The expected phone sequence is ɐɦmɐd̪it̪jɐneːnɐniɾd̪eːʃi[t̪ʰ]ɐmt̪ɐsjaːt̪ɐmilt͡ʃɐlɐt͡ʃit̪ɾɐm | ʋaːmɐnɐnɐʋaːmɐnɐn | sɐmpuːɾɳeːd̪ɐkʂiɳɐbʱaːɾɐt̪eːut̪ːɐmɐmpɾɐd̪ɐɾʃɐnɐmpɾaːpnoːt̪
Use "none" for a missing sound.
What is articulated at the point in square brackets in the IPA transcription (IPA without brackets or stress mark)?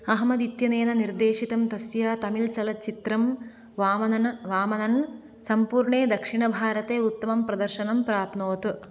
t̪